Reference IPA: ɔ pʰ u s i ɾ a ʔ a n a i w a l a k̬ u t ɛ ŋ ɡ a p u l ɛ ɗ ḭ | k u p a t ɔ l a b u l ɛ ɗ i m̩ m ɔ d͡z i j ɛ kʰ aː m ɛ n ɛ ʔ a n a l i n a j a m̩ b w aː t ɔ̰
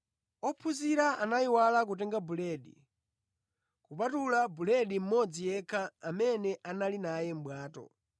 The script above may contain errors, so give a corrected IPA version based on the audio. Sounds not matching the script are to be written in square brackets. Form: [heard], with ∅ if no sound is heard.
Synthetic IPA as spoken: ɔ pʰ u [z] i ɾ a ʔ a n a i w a l a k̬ u t ɛ ŋ ɡ a [b] u l ɛ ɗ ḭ | k u p a t [u] l a b u l ɛ ɗ i m̩ m ɔ d͡z i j ɛ kʰ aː m ɛ n ɛ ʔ a n a l i n a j [ɛ] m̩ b w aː t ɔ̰